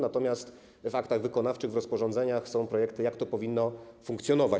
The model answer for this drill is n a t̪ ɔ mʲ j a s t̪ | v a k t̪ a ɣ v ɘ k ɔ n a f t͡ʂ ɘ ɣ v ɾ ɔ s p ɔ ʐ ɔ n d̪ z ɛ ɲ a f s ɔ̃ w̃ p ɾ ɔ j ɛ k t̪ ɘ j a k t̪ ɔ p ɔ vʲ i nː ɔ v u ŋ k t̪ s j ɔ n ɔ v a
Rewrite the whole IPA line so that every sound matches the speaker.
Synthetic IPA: n a t̪ ɔ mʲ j a s t̪ | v a k t̪ a ɣ v ɘ k ɔ n a f t͡ʂ ɘ ɣ v ɾ ɔ s p ɔ ʐ ɔ n d̪ z ɛ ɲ a x s ɔ̃ w̃ p ɾ ɔ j ɛ k t̪ ɘ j a k t̪ ɔ p ɔ vʲ i nː ɔ f u ŋ k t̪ s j ɔ n ɔ v a

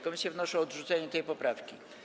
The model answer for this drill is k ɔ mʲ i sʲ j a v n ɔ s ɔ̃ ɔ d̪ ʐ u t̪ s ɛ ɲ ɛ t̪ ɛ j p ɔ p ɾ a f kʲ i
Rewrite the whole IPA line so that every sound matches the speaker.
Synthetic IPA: k ɔ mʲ i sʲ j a v n ɔ ʂ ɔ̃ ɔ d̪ ʐ u t̪ s ɛ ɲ ɛ t̪ ɛ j p ɔ p ɾ a f kʲ i

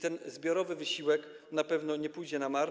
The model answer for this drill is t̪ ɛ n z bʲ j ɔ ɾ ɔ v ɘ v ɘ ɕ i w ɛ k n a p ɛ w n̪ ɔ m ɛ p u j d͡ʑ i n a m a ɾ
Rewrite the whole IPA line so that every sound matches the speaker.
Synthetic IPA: t̪ ɛ n z bʲ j ɔ ɾ ɔ v ɘ v ɘ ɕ i w ɛ k n a p ɛ v n̪ ɔ ɲ ɛ p u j d͡ʑ ɛ n a m a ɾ

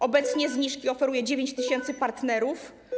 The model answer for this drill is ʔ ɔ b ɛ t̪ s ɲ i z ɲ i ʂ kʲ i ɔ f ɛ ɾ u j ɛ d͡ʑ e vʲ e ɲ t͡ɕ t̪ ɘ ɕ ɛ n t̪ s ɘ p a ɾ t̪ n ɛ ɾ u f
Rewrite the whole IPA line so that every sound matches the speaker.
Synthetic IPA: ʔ ɔ b ɛ t̪ s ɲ ɛ z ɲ i ʂ kʲ i ɔ f ɛ ɾ u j ɛ d͡ʑ e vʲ e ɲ t͡ɕ t̪ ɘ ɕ ɛ n t̪ s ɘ p a ɾ t̪ n ɛ ɾ u f

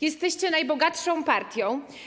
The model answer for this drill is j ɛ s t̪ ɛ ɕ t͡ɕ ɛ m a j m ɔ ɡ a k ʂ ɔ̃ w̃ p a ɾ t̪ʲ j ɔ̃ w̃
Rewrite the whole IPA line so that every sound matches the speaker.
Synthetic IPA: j ɛ s t̪ ɛ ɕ t͡ɕ ɛ n a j b ɔ ɡ a t ʂ ɔ̃ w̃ p a ɾ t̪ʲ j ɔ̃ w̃

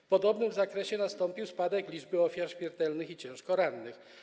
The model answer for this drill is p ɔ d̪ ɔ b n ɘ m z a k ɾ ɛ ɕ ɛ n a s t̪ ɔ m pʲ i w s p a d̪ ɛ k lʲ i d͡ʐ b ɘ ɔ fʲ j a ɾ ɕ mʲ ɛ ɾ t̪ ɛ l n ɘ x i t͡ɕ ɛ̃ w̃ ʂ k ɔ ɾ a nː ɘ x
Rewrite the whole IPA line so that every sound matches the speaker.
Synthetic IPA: p ɔ d̪ ɔ b n ɘ m z a k ɾ ɛ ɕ ɛ n a s t̪ ɔ m pʲ i w s p a d̪ ɛ k lʲ i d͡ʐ b ɘ ɔ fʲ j a ɾ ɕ mʲ ɛ ɾ t̪ ɛ l n ɘ x i t͡ɕ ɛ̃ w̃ ʂ k ɔ ɾ a nː ɘ x

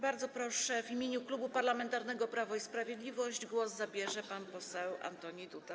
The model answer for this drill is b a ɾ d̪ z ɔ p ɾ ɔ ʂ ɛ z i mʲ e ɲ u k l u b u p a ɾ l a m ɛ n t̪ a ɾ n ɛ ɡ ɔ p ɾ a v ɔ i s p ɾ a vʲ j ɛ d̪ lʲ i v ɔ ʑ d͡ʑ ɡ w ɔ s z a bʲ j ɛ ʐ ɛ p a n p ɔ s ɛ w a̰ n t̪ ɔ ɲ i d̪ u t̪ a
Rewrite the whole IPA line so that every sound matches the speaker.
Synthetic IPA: b a ɾ d̪ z ɔ p ɾ ɔ ʂ ɛ v i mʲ e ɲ u k l u b u p a ɾ l a m ɛ n t̪ a ɾ n ɛ ɡ ɔ p ɾ a v ɔ i s p ɾ a vʲ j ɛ d̪ lʲ i v ɔ ʑ d͡ʑ ɡ w ɔ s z a bʲ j ɛ ʐ ɛ p a n p ɔ s ɛ w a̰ n t̪ ɔ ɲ i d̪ u t̪ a

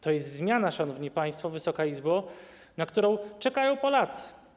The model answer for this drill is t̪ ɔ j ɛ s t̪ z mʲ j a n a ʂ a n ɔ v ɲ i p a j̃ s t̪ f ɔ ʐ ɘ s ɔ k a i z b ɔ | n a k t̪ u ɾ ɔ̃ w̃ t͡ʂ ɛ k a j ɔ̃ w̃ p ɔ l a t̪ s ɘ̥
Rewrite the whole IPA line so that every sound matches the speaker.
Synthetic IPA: t̪ ɔ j ɛ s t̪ z mʲ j a n a ʂ a n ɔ v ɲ i p a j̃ s t̪ f ɔ v ɘ s ɔ k a i z b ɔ | n a k t̪ u ɾ ɔ̃ w̃ t͡ʂ ɛ k a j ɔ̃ w̃ p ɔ l a t̪ s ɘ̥

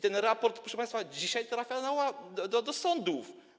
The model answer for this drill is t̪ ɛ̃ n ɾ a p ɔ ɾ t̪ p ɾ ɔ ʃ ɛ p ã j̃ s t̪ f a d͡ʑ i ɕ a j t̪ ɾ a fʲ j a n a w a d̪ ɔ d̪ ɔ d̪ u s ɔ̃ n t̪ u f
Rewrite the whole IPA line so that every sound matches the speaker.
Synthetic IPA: t̪ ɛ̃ n ɾ a p ɔ ɾ t̪ p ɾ ɔ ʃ ɛ p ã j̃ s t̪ f a d͡ʑ i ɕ a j t̪ ɾ a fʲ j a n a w a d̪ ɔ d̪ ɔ d̪ ɔ s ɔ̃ n d̪ u f

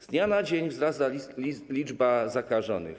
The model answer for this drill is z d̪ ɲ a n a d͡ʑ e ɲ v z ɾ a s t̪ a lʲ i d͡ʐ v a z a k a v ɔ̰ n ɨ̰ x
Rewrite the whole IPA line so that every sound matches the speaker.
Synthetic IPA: z d̪ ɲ a n a d͡ʑ e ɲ v z ɾ a s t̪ a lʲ i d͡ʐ b a z a k a ʐ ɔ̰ n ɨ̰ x

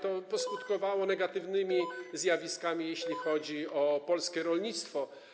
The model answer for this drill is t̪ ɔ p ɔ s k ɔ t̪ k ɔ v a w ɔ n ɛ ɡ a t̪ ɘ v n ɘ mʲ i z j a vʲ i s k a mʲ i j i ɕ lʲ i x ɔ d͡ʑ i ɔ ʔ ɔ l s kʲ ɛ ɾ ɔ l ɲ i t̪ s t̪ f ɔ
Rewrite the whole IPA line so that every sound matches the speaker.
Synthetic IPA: t̪ ɔ p ɔ s k u t̪ k ɔ v a w ɔ n ɛ ɡ a t̪ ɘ v n ɘ mʲ i z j a vʲ i s k a mʲ i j e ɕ lʲ i x ɔ d͡ʑ i ɔ p ɔ l s kʲ ɛ ɾ ɔ l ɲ i t̪ s t̪ f ɔ

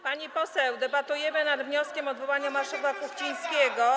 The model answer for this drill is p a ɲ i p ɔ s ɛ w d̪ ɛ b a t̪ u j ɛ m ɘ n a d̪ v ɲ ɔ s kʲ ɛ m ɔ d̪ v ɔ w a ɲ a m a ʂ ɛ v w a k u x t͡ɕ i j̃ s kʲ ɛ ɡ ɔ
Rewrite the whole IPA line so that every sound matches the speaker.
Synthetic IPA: p a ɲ i p ɔ s ɛ w d̪ ɛ b a t̪ u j ɛ m ɘ n a d̪ v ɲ ɔ s kʲ ɛ m ɔ d̪ v ɔ w a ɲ a m a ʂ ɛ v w a k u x t͡ɕ i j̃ s kʲ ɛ ɡ ɔ

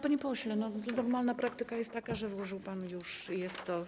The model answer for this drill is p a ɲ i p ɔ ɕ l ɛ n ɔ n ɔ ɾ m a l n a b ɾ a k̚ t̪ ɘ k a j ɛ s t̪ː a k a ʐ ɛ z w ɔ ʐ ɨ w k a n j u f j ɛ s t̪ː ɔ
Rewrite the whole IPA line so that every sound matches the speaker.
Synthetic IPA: p a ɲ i p ɔ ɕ l ɛ n ɔ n ɔ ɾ m a l n a p ɾ a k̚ t̪ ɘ k a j ɛ s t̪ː a k a ʐ ɛ z w ɔ ʐ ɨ w p a n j u ʂ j ɛ s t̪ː ɔ

